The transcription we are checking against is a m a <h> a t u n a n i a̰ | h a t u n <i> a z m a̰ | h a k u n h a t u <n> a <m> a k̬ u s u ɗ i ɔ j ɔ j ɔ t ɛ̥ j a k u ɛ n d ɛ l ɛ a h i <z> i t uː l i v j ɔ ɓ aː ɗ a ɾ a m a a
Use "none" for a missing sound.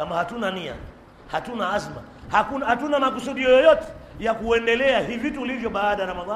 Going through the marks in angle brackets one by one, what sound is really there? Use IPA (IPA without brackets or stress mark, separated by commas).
h, a, n, m, v